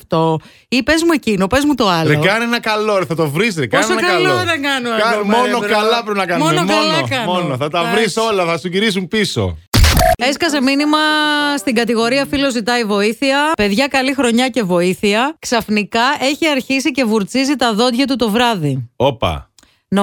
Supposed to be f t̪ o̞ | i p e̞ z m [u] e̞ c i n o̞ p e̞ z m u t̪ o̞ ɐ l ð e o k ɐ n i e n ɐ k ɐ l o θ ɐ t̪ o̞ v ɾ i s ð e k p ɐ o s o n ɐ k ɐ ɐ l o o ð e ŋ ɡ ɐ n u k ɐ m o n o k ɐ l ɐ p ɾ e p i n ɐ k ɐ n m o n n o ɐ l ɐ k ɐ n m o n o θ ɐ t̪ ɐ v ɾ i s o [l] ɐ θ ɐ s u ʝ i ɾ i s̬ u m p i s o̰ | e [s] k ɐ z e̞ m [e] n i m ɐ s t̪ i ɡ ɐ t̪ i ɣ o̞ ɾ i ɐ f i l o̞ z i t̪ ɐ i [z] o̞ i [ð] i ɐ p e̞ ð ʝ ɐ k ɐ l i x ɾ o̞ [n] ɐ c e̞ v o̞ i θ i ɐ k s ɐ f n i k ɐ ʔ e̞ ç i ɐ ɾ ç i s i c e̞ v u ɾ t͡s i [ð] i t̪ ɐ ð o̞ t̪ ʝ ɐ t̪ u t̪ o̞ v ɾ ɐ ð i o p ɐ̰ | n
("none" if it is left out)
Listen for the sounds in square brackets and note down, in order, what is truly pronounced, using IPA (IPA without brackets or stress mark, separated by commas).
u, l, s, i, v, θ, ɲ, z